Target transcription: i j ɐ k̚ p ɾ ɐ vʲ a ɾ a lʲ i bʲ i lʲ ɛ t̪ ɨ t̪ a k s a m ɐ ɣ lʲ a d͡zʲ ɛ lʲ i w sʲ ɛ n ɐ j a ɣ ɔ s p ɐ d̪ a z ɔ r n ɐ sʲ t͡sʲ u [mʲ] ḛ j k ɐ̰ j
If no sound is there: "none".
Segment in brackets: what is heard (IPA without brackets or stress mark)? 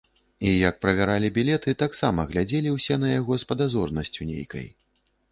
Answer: nʲ